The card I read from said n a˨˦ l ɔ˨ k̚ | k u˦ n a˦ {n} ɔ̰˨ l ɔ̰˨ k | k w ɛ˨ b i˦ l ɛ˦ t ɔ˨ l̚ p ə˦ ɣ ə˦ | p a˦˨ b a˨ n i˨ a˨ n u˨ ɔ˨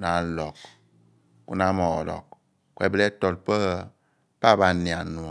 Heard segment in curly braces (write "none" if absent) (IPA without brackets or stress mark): m